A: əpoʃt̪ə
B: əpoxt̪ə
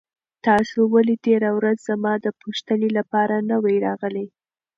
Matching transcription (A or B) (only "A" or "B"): A